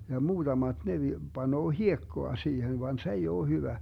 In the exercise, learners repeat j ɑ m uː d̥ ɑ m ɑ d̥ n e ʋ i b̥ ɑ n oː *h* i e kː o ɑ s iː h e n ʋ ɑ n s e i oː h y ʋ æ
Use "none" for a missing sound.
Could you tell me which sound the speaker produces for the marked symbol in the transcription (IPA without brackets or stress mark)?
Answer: h